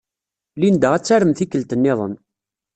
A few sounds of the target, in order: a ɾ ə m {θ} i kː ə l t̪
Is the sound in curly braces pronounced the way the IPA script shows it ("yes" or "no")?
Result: yes